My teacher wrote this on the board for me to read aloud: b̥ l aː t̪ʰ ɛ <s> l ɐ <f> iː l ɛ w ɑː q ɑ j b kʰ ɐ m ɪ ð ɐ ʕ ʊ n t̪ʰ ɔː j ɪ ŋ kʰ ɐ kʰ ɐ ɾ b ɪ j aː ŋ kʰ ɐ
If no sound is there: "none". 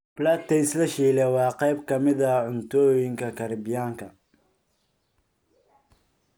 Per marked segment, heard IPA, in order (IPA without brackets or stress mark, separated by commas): s, ʃ